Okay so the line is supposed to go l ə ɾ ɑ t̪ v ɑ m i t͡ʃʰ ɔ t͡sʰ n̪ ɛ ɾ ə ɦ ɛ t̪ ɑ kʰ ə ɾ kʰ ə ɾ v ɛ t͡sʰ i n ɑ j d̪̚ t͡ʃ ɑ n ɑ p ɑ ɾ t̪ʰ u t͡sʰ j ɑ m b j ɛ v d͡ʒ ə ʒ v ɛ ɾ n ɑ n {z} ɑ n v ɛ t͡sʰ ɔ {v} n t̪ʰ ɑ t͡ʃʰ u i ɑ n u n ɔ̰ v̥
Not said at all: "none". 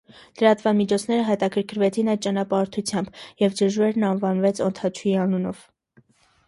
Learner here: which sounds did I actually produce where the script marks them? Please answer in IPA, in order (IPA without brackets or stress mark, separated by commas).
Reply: v, none